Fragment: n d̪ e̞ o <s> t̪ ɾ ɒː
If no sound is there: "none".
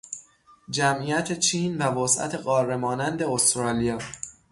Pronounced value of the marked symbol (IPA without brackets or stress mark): s